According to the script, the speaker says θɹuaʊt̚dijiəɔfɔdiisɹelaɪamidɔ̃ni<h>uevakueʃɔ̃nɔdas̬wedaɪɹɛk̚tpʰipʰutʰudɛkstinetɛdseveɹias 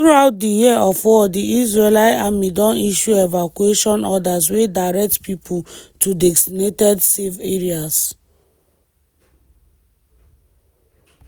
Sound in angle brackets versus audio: incorrect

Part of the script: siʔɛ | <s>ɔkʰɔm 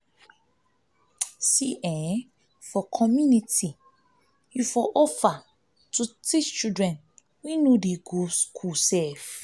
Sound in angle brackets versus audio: incorrect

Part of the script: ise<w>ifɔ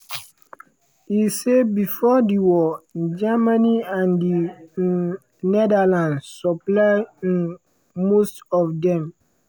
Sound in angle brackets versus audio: incorrect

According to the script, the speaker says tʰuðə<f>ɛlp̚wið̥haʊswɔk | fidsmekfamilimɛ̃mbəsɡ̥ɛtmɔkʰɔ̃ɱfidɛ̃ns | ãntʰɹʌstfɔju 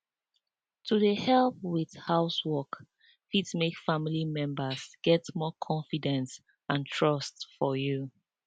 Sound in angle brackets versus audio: incorrect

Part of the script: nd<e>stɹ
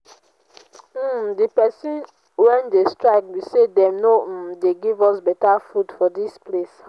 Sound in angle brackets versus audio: correct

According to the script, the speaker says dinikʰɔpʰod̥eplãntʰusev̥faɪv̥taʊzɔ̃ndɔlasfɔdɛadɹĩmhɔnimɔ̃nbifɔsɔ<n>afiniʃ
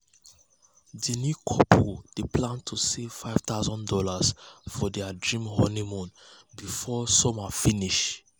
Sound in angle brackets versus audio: incorrect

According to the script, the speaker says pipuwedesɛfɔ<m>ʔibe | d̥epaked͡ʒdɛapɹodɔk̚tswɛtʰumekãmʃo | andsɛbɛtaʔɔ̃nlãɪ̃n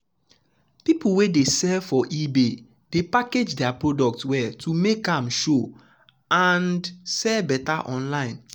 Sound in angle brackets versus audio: incorrect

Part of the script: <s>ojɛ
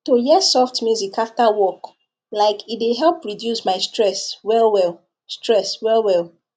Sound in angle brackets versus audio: incorrect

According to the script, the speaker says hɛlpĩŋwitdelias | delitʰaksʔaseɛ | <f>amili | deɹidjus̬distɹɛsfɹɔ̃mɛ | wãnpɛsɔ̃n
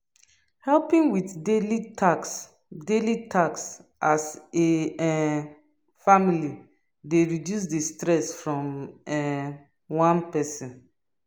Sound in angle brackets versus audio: correct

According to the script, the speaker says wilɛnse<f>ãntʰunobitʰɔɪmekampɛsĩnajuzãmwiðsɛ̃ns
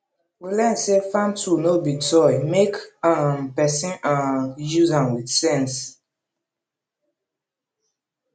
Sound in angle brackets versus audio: correct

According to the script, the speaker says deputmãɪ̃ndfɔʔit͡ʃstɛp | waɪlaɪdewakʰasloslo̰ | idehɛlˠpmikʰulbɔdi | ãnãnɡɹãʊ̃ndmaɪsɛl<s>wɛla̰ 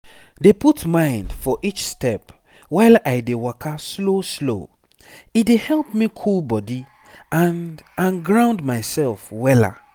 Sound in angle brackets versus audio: incorrect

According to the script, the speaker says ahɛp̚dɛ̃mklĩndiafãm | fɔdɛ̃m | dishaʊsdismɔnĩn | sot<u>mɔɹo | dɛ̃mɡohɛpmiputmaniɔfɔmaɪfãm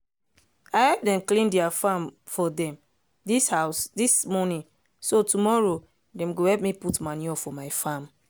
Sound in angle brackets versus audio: correct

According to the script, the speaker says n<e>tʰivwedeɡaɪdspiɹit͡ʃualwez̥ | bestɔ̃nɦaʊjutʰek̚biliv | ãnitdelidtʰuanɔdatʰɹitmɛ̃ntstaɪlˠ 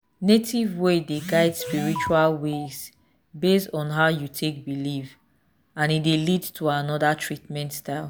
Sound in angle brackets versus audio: correct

